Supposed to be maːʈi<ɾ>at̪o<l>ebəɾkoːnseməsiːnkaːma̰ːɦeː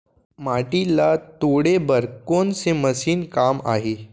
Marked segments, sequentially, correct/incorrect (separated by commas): incorrect, incorrect